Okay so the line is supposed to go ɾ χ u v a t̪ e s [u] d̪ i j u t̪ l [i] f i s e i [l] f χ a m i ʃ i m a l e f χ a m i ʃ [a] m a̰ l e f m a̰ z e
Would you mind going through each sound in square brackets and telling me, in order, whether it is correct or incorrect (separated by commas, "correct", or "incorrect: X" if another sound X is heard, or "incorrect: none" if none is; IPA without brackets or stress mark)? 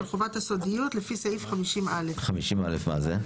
incorrect: o, incorrect: e, incorrect: none, incorrect: i